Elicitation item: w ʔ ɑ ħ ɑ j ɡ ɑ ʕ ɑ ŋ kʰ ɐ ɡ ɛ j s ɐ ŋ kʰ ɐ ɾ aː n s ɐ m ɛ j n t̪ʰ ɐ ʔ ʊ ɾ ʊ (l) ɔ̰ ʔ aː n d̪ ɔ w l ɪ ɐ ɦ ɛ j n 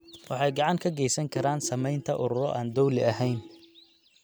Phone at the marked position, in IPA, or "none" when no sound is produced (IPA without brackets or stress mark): ɾ